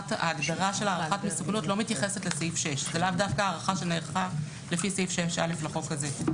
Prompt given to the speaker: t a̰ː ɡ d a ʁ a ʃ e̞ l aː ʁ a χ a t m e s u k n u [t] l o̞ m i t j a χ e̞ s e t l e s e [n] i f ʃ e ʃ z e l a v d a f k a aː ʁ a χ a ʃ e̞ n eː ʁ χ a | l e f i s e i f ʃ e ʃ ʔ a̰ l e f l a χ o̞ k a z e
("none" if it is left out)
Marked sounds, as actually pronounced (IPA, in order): t, none

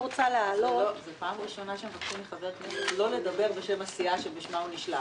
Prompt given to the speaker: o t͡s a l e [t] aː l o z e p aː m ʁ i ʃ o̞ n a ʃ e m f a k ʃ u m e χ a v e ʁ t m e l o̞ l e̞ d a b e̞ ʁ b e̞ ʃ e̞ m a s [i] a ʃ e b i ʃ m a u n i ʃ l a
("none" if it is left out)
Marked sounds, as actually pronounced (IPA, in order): none, i

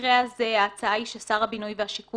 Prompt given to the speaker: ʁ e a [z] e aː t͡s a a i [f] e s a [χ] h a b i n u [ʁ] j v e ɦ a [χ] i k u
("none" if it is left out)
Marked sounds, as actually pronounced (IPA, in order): z, ʃ, ʁ, none, ʃ

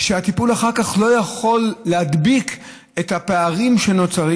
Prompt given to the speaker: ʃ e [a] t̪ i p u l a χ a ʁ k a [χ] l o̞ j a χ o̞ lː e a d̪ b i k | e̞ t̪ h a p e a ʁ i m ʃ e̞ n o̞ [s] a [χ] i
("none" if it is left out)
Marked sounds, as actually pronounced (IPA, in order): a, χ, t͡s, ʁ

